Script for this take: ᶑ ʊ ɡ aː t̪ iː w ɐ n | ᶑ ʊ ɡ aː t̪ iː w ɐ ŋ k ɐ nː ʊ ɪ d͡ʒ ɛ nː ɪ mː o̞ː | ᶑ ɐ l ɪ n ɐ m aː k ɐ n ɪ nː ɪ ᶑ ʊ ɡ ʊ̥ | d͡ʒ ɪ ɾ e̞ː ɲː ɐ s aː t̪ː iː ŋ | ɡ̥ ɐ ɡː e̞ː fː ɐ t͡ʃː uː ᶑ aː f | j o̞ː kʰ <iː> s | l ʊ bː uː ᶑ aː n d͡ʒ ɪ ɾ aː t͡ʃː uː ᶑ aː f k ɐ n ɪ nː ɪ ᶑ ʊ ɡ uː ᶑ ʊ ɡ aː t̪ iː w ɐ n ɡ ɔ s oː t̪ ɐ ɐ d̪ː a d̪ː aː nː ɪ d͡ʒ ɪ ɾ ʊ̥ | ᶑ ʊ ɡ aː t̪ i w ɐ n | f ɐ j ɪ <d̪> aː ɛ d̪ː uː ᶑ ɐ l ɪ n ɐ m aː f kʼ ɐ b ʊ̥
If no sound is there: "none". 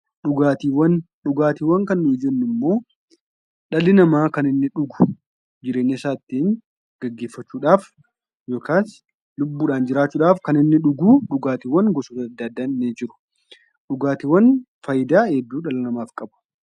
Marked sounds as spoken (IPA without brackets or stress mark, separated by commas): aː, d̪